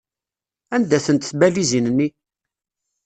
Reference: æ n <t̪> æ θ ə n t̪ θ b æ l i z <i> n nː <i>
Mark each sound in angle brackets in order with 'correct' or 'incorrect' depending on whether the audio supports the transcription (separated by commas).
incorrect, correct, correct